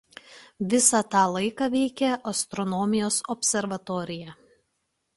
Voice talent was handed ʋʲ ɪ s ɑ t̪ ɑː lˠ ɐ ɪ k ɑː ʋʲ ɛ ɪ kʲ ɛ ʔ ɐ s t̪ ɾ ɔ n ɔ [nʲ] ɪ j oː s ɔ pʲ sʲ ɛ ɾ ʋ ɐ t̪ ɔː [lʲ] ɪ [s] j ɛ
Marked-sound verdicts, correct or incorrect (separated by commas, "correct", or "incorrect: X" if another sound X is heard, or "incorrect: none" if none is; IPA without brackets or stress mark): incorrect: mʲ, incorrect: ɾʲ, incorrect: none